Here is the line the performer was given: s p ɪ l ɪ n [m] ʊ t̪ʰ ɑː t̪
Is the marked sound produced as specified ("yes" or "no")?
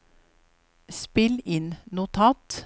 no